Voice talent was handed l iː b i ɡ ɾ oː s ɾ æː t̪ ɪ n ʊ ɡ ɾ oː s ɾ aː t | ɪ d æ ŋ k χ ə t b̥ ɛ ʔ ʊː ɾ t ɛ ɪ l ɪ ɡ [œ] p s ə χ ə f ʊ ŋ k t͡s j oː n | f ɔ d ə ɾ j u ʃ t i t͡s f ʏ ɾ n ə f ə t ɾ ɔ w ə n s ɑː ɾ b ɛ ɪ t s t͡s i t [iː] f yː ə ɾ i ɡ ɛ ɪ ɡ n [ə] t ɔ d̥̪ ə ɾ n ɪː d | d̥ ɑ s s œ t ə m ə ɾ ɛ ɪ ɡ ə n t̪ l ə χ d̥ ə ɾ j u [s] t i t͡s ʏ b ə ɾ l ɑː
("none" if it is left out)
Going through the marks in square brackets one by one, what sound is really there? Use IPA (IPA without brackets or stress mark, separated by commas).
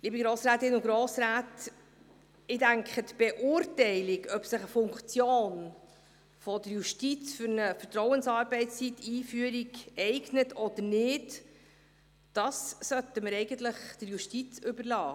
œ, iː, ə, ʃ